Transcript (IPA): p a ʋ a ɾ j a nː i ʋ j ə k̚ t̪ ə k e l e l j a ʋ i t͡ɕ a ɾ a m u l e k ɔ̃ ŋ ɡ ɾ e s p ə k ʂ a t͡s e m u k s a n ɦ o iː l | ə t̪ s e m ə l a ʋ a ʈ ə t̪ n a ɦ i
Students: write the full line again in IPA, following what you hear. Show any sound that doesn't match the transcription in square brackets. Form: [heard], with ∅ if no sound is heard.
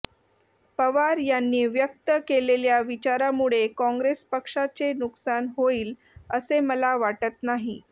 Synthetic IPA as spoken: p [ə] ʋ a ɾ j a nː [iː] ʋ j ə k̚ t̪ ə k e l e l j a ʋ i t͡ɕ a ɾ a m u [ɭ] e k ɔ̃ ŋ ɡ ɾ e s p ə k ʂ a t͡s e [n] u k s a n ɦ o iː l | ə [∅] s e m ə l a ʋ a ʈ ə t̪ n a ɦ i